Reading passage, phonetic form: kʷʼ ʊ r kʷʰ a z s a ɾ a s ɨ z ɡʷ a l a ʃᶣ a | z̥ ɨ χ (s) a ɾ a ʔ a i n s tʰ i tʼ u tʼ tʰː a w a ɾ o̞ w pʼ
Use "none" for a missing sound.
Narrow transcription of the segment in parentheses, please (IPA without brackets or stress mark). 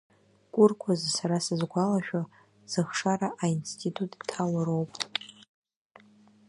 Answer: ʂ